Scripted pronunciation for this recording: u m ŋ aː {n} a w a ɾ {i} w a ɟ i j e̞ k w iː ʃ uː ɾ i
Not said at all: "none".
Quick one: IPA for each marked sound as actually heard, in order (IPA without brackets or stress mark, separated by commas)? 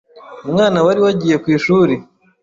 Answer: n, i